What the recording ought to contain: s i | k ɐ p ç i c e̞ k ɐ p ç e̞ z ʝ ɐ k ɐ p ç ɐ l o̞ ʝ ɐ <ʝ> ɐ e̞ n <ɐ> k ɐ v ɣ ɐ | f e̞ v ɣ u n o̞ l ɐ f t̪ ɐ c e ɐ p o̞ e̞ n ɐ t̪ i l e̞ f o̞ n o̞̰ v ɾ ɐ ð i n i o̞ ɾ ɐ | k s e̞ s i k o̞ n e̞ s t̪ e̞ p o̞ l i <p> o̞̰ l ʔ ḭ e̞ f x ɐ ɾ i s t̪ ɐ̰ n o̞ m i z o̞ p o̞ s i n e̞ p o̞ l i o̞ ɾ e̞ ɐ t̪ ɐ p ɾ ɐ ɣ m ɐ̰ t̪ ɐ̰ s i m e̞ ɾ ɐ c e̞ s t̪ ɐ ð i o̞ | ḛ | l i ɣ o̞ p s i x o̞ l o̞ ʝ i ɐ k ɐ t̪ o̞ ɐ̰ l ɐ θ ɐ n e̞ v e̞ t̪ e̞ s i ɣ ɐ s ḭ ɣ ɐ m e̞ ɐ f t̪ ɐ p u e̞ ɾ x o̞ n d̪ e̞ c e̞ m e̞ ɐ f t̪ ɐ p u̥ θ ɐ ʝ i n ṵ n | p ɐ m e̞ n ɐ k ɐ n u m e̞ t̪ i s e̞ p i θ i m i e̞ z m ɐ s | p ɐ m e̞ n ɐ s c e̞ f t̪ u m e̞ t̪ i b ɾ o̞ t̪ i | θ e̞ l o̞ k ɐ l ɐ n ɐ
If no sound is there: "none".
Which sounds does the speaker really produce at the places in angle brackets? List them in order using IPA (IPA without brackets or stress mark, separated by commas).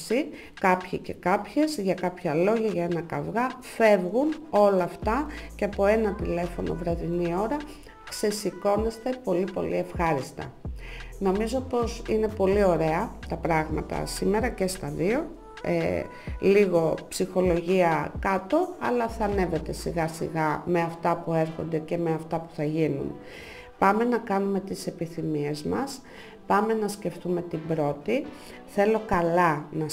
ʝ, ɐ, p